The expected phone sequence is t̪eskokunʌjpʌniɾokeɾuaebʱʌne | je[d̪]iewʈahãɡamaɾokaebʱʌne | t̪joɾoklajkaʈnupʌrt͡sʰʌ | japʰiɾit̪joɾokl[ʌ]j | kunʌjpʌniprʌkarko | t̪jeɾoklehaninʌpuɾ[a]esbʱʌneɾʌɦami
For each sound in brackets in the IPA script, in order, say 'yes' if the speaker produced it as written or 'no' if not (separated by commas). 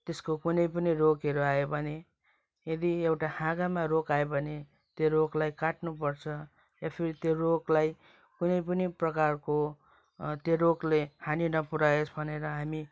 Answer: yes, no, yes